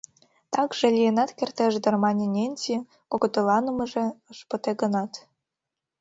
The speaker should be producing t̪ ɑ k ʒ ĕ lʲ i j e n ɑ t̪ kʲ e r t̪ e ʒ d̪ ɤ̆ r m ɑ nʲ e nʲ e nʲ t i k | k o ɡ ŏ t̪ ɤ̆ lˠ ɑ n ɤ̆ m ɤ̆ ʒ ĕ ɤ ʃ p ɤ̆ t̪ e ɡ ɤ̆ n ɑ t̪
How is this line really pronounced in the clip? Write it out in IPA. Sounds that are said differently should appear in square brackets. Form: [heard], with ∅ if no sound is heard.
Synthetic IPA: t̪ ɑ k ʒ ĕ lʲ i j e n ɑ t̪ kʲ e r t̪ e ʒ d̪ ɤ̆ r m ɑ nʲ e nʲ e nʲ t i [∅] | k o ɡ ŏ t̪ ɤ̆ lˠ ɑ n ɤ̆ m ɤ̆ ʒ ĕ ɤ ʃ p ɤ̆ t̪ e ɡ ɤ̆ n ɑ t̪